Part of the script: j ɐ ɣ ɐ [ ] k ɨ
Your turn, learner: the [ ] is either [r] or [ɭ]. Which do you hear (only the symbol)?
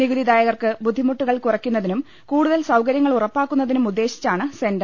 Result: r